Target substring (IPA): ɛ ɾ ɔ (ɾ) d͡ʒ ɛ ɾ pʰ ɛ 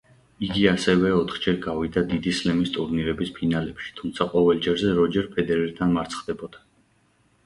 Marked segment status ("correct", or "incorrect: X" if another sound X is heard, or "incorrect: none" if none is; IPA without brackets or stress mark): incorrect: none